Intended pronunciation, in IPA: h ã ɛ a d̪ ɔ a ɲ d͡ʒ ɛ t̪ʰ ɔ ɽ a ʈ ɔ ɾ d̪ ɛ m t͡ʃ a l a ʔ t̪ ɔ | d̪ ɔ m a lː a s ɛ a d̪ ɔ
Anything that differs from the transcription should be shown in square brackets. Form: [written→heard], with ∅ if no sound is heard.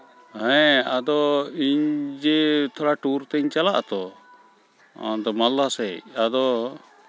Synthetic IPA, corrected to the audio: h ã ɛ a d̪ ɔ [a→i] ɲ d͡ʒ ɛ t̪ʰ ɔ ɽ a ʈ [ɔ→u] ɾ [d̪→t̪] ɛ [m→ɲ] t͡ʃ a l a ʔ t̪ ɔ | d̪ ɔ m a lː a s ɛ a d̪ ɔ